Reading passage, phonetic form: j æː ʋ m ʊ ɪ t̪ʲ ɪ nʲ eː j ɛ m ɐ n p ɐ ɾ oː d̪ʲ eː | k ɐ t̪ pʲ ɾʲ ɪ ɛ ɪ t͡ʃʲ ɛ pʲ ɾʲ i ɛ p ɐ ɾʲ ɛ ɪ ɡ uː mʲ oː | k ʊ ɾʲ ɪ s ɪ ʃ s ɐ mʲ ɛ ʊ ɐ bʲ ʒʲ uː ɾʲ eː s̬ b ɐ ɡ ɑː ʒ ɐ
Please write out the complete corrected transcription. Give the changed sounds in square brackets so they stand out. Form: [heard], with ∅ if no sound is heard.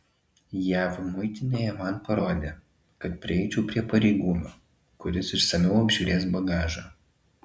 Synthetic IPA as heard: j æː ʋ m ʊ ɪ t̪ʲ ɪ nʲ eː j ɛ m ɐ n p ɐ ɾ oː d̪ʲ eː | k ɐ t̪ pʲ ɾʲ ɪ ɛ ɪ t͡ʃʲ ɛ pʲ ɾʲ i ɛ p ɐ ɾʲ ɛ ɪ ɡ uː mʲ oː | k ʊ ɾʲ ɪ s ɪ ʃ s ɐ mʲ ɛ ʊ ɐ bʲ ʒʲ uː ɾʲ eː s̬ b ɐ ɡ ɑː ʒ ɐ